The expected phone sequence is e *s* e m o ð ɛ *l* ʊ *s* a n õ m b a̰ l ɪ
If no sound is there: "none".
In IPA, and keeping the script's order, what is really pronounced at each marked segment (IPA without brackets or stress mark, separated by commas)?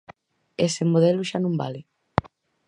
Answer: s, l, ʃ